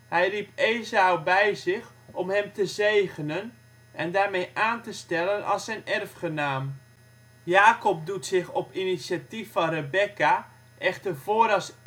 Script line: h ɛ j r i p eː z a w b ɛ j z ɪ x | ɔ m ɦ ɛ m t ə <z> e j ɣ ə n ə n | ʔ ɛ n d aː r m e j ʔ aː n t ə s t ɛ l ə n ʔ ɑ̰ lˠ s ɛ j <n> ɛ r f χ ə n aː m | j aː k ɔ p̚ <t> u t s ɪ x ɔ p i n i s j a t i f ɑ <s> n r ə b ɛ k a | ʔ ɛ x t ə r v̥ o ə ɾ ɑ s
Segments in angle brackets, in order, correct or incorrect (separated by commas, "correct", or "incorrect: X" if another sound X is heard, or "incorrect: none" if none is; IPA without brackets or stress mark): correct, correct, incorrect: d, incorrect: none